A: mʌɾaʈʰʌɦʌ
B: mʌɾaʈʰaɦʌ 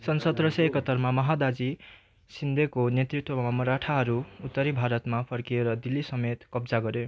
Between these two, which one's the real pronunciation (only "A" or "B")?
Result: B